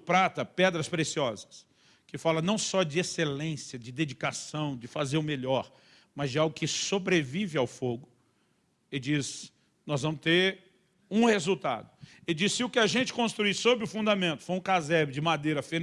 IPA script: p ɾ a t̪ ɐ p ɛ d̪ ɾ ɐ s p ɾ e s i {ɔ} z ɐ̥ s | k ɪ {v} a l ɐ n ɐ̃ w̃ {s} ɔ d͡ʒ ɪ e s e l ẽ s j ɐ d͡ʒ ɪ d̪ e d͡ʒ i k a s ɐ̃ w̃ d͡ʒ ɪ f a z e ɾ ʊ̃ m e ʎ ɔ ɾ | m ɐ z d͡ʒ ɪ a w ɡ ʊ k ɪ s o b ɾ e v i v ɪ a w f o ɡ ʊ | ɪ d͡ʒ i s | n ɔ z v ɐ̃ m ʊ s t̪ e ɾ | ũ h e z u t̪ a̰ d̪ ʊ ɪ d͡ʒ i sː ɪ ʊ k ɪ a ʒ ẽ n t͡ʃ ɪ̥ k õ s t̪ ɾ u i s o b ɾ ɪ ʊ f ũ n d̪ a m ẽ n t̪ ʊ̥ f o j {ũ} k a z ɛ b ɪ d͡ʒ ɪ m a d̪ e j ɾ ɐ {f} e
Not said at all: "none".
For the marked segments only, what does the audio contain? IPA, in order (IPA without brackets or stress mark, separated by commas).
ɔ, f, s, ũ, f